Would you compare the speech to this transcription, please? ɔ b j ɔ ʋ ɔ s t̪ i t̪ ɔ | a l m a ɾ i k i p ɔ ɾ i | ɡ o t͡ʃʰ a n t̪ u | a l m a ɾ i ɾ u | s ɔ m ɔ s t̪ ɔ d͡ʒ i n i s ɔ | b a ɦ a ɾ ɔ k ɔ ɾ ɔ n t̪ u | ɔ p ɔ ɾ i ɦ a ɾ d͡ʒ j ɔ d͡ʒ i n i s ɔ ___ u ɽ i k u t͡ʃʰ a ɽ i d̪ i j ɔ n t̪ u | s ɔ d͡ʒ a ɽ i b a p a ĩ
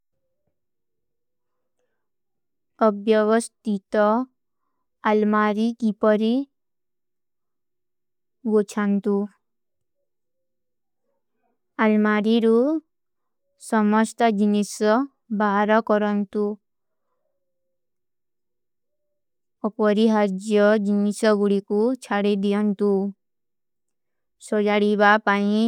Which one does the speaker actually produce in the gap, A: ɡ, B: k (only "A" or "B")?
A